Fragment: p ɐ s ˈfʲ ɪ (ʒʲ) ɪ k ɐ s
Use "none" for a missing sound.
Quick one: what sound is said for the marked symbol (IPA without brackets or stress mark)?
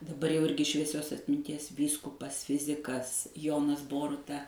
zʲ